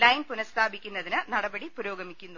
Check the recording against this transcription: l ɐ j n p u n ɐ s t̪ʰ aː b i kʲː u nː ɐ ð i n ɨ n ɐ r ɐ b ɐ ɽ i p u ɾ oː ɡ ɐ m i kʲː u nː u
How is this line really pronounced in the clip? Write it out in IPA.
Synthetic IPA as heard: l ɐ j n p u n ɐ s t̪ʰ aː b i kʲː u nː ɐ ð i n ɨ n ɐ ɽ ɐ b ɐ ɽ i p u ɾ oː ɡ ɐ m i kʲː u nː u